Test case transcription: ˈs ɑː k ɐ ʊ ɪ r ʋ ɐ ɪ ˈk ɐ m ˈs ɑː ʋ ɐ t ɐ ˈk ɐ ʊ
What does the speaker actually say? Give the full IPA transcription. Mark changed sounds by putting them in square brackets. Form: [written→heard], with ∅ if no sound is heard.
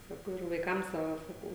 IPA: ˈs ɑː k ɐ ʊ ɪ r ʋ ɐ ɪ ˈk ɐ m ˈs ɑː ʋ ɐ [t→s] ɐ ˈk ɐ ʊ